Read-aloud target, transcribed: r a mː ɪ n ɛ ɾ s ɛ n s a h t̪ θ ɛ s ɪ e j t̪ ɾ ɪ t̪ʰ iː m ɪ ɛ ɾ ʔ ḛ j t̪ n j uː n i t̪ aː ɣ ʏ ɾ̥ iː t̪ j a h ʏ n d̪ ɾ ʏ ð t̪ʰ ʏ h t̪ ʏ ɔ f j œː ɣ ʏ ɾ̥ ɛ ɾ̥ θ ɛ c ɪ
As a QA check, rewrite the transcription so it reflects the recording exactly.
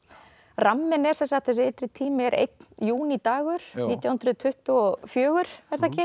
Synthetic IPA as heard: r a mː ɪ n ɛ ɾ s ɛ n s a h t̪ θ ɛ s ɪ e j t̪ ɾ ɪ t̪ʰ iː m ɪ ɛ ɾ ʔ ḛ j t̪ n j uː n i t̪ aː ɣ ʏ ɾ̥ iː t̪ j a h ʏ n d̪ ɾ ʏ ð t̪ʰ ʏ h t̪ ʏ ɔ f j œː ɣ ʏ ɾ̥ ɛ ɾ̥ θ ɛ c ɪ